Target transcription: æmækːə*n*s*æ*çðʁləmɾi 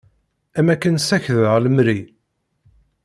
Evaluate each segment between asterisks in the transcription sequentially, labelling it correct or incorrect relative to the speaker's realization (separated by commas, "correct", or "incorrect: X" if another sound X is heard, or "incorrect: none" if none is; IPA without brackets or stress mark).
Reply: correct, correct